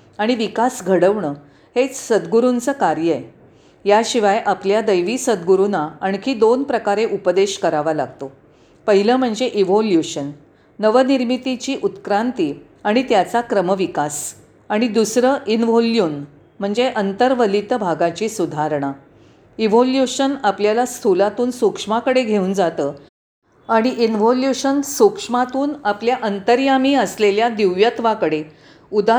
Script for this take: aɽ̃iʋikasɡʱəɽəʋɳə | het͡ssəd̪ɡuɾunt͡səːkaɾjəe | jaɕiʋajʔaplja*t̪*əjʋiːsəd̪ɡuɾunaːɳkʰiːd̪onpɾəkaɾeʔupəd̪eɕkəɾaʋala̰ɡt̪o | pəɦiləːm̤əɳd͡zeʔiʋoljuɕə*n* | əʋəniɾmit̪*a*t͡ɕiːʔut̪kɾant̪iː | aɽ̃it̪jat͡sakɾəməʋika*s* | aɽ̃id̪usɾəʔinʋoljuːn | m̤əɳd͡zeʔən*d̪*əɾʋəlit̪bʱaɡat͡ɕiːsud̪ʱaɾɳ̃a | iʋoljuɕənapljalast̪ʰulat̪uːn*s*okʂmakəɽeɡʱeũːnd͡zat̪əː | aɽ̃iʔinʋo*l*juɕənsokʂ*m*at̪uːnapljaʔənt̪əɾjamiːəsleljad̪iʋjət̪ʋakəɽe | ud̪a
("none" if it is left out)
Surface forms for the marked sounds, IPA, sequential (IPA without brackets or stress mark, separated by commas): d̪, nː, i, s, t̪, s, l, m